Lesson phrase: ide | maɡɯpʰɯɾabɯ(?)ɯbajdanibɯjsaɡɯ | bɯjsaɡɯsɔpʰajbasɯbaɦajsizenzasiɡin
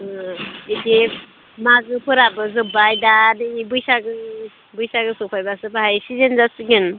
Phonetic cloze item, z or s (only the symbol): z